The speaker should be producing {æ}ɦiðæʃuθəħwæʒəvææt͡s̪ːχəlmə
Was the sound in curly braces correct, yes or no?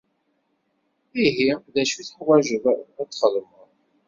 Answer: no